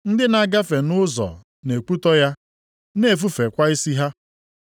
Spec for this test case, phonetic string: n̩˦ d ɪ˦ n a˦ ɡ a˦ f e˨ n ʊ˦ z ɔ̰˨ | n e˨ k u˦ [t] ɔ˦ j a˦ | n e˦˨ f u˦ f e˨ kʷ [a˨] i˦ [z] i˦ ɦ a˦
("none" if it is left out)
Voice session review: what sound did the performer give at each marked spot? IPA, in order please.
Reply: t, a˦, s

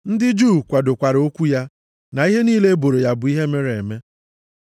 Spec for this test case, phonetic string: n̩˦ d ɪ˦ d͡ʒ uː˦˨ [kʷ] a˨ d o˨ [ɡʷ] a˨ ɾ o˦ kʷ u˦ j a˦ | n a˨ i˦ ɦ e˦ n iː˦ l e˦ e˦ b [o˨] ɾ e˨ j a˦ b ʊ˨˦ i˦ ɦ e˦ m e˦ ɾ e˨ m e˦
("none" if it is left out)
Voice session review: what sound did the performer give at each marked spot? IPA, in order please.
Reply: kʷ, kʷ, o˨

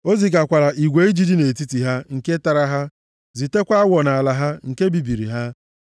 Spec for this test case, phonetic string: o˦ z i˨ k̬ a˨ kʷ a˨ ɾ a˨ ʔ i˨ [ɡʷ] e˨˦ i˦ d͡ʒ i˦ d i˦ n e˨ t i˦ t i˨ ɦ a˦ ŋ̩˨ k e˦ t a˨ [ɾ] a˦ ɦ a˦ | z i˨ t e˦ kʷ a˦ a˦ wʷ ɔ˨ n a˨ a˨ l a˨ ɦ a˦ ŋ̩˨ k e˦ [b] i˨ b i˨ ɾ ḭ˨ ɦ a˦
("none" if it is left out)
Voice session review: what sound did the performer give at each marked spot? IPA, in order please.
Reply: ɡʷ, ɾ, b

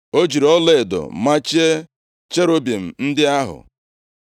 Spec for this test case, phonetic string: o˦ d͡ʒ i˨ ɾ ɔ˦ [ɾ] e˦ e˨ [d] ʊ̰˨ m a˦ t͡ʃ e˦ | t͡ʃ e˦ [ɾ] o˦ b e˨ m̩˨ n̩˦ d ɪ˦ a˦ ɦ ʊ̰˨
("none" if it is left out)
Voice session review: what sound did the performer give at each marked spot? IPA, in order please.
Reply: l, d, ɾ

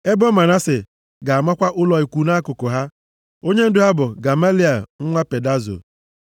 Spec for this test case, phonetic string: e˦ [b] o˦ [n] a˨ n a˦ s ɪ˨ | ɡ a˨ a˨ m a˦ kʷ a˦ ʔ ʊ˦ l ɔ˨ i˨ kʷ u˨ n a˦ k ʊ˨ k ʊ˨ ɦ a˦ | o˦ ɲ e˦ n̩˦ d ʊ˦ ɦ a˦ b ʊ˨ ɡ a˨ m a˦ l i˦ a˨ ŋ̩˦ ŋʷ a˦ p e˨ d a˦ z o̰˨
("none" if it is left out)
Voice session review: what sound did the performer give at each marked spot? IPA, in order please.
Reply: b, m

